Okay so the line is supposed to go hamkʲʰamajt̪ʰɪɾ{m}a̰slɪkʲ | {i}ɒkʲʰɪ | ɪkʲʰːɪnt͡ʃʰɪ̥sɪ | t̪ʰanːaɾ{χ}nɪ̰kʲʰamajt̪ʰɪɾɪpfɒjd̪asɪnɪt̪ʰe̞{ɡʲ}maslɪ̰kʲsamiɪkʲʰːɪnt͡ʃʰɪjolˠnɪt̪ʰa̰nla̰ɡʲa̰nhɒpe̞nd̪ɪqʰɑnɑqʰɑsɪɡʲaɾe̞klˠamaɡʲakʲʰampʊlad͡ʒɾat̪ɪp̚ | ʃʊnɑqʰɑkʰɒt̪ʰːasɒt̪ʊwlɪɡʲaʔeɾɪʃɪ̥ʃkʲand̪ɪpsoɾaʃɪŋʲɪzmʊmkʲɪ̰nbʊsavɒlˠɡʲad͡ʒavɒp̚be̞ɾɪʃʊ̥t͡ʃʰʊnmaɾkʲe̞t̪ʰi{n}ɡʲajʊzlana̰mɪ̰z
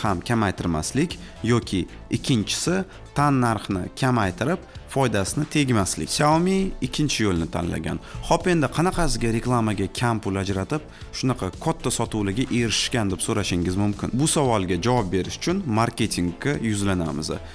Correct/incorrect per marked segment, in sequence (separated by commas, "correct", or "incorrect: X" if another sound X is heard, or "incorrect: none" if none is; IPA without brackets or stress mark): correct, incorrect: j, correct, correct, incorrect: ŋ